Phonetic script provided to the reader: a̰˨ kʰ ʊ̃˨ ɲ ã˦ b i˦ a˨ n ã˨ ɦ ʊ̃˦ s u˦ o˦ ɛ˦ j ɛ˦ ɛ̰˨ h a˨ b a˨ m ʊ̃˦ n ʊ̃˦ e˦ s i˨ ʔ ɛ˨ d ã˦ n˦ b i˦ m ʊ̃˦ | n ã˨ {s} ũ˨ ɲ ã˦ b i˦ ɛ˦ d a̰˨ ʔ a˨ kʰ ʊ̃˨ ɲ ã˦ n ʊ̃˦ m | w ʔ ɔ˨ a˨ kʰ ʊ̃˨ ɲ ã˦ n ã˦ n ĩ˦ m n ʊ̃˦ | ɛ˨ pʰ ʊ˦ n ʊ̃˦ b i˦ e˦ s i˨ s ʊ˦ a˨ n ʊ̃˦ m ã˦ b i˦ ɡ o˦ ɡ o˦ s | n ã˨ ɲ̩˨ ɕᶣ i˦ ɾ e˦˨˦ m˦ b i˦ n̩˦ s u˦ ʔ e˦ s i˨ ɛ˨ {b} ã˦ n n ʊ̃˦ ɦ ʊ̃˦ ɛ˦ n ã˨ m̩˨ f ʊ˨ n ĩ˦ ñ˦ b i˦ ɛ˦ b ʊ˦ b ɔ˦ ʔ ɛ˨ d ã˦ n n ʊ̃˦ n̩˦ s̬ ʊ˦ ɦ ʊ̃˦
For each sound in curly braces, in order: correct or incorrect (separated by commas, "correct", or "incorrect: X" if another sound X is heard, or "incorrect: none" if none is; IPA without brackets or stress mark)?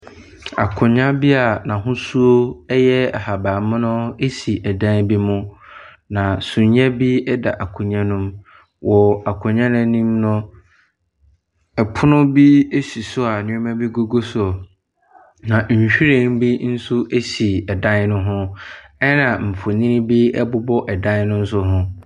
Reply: correct, incorrect: d